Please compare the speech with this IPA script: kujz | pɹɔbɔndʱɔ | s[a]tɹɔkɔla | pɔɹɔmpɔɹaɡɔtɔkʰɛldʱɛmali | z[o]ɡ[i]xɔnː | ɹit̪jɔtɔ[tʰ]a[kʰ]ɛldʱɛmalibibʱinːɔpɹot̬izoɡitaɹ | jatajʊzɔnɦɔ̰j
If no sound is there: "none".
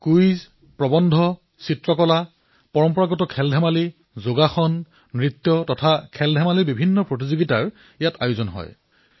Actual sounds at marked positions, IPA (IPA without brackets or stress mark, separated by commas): i, o, a, tʰ, kʰ